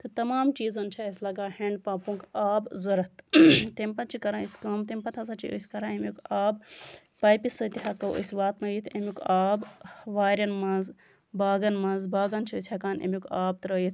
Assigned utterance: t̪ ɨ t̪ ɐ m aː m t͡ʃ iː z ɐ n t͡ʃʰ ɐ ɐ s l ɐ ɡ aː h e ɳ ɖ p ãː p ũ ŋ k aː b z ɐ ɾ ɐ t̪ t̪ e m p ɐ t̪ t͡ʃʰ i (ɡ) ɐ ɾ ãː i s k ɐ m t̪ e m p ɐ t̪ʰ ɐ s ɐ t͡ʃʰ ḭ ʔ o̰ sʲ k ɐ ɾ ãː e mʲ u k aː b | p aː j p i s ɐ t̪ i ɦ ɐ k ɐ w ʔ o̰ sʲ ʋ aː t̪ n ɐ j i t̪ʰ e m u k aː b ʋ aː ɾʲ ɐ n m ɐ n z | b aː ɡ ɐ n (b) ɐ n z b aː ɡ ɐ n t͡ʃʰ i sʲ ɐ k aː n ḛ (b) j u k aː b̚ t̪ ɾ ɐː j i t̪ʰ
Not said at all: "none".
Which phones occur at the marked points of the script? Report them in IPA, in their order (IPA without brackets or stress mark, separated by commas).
k, m, m